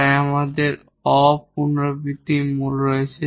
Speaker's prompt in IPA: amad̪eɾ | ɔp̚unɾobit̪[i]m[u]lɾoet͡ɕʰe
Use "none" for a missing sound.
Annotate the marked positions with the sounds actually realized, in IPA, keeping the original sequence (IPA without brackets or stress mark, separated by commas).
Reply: i, u